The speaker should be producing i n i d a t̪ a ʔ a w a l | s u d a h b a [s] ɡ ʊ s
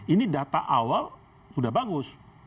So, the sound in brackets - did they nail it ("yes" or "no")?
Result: no